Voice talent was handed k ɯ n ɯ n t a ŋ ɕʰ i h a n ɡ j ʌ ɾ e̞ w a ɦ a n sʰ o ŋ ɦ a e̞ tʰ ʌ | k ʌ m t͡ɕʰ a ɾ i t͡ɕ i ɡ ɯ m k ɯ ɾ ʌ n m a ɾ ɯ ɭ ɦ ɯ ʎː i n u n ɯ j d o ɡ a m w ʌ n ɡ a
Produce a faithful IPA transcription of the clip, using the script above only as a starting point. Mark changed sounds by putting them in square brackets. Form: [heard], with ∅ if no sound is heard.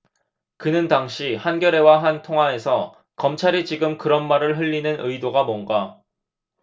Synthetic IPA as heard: k ɯ n ɯ n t a ŋ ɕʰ i h a n ɡ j ʌ ɾ e̞ w a ɦ a n [tʰ] o ŋ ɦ a e̞ [sʰ] ʌ | k ʌ m t͡ɕʰ a ɾ i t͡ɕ i ɡ ɯ m k ɯ ɾ ʌ n m a ɾ ɯ ɭ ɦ ɯ ʎː i n [ɯ] n ɯ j d o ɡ a m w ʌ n ɡ a